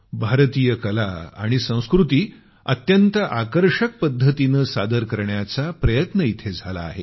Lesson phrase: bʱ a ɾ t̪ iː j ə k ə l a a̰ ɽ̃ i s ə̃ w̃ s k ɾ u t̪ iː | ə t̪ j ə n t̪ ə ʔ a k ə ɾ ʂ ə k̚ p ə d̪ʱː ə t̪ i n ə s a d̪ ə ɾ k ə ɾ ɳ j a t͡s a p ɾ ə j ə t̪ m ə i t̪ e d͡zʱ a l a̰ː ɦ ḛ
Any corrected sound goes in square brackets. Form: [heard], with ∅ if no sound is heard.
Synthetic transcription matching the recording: bʱ a ɾ t̪ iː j ə k ə l a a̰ ɽ̃ i s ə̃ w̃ s k ɾ u t̪ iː | ə t̪ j ə n t̪ ə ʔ a k ə ɾ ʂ ə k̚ p ə d̪ʱː ə t̪ i n ə s a d̪ ə ɾ k ə ɾ ɳ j a t͡s a p ɾ ə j ə t̪ [n] ə i [t̪ʰ] e d͡zʱ a l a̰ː ɦ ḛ